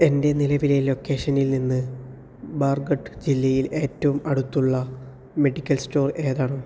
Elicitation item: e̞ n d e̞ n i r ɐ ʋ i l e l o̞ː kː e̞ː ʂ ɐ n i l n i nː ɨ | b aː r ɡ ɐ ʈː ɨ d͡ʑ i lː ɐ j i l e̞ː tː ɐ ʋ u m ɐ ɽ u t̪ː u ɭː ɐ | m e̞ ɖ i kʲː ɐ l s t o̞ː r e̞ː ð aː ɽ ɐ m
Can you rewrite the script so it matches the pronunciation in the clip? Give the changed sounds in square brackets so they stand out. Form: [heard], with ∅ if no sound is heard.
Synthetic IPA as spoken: e̞ n d e̞ n i [l] ɐ ʋ i l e l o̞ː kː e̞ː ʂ ɐ n i l n i nː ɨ | b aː r ɡ ɐ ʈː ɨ d͡ʑ i lː ɐ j i l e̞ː tː ɐ ʋ u m ɐ ɽ u t̪ː u ɭː ɐ | m e̞ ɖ i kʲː ɐ l s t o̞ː r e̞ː ð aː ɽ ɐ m